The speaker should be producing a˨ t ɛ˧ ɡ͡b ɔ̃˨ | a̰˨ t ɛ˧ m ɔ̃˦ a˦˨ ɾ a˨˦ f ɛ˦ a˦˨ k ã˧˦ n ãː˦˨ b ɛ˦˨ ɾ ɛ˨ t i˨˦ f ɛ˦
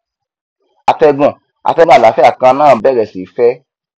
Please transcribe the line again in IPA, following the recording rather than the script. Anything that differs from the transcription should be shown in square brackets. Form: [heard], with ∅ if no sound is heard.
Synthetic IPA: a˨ t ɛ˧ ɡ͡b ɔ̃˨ | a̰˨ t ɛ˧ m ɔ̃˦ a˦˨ [l] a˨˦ f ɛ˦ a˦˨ k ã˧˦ n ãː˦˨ b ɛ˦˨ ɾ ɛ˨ [s] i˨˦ f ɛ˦